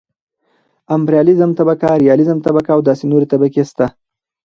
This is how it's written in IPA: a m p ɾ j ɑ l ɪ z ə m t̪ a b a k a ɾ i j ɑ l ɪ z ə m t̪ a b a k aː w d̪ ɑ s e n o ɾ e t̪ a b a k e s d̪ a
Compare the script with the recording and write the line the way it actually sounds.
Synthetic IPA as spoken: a m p ɾ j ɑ l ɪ z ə m t̪ a b a k a ɾ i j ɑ l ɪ z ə m t̪ a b a k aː w d̪ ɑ s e n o ɾ e t̪ a b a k e s t̪ a